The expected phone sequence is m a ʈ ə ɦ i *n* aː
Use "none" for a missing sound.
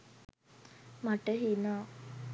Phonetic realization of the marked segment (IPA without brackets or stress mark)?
n